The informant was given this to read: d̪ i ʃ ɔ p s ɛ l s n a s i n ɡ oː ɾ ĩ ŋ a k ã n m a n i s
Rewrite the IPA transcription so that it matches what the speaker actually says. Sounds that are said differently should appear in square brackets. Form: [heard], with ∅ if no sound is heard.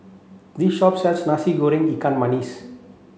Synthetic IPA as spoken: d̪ i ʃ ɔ p s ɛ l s n a s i [∅] ɡ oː ɾ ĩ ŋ [i] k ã n m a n i s